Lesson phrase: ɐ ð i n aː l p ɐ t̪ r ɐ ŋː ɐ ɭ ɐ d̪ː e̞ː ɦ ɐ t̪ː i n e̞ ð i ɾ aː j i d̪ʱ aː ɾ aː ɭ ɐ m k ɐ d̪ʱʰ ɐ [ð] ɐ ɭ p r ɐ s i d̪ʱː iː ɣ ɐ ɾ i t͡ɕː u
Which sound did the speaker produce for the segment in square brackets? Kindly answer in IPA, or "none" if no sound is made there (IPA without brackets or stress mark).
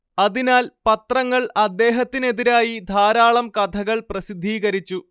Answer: ɣ